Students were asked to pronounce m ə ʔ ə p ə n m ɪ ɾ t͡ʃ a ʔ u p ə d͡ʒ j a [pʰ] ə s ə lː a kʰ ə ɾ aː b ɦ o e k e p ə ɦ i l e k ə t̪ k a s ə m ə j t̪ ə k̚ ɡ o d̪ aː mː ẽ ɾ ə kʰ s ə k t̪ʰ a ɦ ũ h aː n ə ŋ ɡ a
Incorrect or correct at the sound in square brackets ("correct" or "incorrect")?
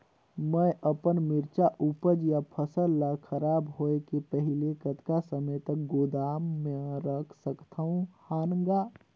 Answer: correct